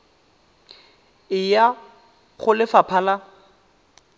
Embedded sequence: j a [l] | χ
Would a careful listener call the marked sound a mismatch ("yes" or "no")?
yes